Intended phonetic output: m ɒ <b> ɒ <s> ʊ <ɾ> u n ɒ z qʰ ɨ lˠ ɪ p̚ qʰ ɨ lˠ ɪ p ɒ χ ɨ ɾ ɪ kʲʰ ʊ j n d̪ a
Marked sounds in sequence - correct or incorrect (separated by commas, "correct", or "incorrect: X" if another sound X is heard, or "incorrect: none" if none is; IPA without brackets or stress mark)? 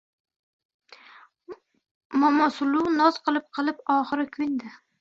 incorrect: m, correct, incorrect: l